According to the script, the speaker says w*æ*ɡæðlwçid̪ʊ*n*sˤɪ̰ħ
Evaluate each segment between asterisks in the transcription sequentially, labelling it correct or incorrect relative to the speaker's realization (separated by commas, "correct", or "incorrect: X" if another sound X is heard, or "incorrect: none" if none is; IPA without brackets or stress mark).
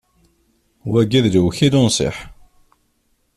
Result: correct, correct